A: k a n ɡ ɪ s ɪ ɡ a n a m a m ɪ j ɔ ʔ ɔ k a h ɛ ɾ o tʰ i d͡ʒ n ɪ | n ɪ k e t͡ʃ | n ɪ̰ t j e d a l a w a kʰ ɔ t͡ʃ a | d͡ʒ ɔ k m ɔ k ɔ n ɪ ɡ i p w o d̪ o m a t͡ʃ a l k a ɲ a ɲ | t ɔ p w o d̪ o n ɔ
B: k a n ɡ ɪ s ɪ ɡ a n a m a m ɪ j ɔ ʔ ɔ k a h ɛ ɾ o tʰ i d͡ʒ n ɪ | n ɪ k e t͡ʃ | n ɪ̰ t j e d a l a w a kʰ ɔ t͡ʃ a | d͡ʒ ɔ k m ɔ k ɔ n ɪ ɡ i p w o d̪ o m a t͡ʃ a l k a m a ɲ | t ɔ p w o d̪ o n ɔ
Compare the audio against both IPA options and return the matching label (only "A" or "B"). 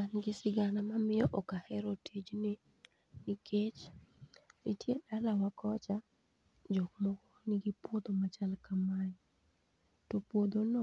B